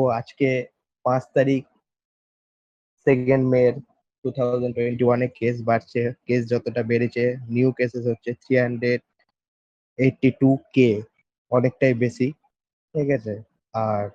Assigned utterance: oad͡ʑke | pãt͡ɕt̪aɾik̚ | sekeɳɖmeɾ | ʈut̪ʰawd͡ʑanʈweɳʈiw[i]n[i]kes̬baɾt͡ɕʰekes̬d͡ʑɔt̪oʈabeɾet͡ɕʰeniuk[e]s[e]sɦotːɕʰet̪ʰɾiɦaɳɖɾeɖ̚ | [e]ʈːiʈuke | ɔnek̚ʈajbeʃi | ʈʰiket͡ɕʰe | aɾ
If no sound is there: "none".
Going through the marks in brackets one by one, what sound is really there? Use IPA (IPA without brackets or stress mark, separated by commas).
a, e, e, e, e